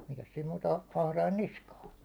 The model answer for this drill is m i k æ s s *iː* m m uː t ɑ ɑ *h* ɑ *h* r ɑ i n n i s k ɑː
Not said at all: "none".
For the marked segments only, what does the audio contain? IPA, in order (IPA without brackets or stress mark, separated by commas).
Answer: iː, h, h